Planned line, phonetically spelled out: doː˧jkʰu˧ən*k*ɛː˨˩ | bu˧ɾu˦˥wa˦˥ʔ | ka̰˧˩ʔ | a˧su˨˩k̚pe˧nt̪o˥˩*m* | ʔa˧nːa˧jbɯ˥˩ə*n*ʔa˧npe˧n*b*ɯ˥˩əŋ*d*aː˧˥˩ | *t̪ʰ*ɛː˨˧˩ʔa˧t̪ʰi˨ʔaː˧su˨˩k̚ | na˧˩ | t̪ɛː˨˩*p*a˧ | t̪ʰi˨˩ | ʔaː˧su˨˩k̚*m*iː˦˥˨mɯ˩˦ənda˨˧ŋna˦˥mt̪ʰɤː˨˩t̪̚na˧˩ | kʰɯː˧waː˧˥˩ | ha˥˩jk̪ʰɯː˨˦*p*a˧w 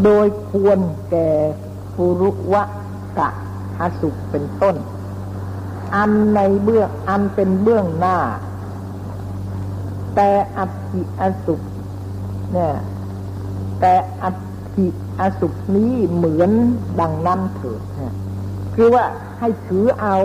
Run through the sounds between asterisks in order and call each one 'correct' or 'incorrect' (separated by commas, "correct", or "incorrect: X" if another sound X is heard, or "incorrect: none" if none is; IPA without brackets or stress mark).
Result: correct, incorrect: n, incorrect: ŋ, correct, incorrect: n, incorrect: t̪, incorrect: ʔ, incorrect: n, incorrect: ʔ